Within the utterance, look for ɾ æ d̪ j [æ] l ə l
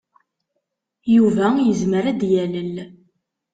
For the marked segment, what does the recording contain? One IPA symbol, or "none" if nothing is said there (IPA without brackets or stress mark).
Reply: æ